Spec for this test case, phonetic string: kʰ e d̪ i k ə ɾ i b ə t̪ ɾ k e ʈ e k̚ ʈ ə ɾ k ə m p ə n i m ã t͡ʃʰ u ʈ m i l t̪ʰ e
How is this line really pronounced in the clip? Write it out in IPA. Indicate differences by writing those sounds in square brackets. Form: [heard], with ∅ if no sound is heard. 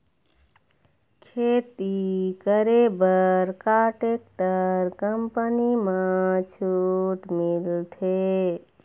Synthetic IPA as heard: kʰ e [t̪] i k ə ɾ [e] b ə [∅] ɾ k [a] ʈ e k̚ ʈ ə ɾ k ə m p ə n i m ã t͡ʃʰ u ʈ m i l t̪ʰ e